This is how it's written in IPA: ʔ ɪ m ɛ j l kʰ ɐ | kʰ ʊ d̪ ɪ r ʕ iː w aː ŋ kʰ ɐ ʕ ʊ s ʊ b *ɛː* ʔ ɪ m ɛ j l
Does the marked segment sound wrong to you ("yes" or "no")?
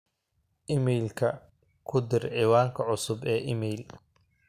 no